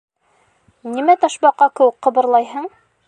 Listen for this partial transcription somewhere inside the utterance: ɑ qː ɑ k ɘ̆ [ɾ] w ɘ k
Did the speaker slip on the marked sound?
yes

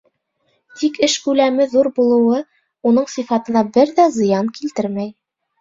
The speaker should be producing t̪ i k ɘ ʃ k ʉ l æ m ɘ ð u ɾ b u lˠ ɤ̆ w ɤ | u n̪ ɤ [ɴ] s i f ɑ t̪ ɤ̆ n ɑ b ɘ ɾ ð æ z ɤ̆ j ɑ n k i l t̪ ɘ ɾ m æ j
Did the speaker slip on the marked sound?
no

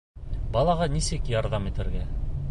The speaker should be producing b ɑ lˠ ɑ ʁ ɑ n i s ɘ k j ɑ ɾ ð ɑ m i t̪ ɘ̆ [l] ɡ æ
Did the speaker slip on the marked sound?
yes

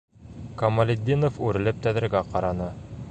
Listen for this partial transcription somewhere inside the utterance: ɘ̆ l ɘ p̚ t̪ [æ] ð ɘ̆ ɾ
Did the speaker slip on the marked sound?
no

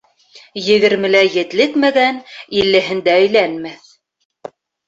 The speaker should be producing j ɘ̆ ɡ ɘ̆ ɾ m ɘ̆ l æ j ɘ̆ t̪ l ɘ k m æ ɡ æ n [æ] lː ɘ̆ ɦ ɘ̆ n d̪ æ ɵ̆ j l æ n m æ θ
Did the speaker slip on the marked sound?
yes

